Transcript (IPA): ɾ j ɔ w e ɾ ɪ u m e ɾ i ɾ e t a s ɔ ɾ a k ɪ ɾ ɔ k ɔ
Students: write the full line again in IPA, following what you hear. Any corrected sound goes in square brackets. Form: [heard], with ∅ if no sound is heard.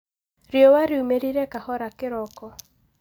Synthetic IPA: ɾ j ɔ w [a] ɾ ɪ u m e ɾ i ɾ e [k] a [h] ɔ ɾ a k ɪ ɾ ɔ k ɔ